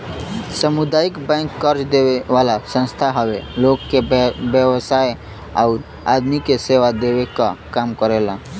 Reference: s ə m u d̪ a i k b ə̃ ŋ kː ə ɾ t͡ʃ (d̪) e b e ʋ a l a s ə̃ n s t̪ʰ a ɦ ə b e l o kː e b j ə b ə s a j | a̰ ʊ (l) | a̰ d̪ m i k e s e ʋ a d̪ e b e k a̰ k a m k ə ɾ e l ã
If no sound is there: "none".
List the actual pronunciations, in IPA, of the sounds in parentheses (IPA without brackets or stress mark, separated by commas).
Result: d̪, ɾ